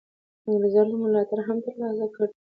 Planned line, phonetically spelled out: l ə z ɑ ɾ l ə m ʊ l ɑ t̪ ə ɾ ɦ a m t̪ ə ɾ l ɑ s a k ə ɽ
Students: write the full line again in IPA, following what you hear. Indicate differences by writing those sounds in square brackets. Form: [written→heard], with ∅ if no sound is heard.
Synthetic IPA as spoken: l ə z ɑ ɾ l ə m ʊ l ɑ t̪ [ə→a] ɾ ɦ a m t̪ ə ɾ l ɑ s a k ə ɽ